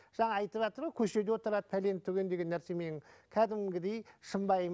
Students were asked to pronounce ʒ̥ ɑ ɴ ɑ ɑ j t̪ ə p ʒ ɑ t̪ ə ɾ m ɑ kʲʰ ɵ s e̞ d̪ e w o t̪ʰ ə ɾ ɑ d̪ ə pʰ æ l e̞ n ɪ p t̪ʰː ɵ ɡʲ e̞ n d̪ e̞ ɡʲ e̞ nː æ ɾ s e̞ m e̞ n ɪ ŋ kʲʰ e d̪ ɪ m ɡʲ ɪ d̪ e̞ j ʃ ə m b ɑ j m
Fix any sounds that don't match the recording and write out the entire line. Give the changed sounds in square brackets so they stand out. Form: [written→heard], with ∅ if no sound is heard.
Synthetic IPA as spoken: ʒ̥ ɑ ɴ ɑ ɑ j t̪ ə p ʒ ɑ t̪ ə ɾ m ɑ kʲʰ ɵ [s→ʃ] e̞ d̪ e w o [t̪ʰ→t̪] ə ɾ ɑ d̪ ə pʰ æ l e̞ n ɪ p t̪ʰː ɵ ɡʲ e̞ n d̪ e̞ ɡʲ e̞ nː æ ɾ s e̞ m e̞ n ɪ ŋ kʲʰ [e→æ] d̪ ɪ m ɡʲ ɪ d̪ e̞ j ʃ ə m b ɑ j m